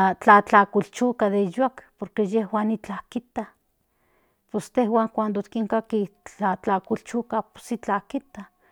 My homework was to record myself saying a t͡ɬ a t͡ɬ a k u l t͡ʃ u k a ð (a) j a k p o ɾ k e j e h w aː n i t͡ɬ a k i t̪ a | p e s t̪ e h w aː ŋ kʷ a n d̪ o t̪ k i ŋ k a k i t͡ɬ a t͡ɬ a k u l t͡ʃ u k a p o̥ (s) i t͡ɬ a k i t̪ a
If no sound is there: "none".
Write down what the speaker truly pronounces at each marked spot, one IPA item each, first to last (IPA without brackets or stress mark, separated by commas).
e, s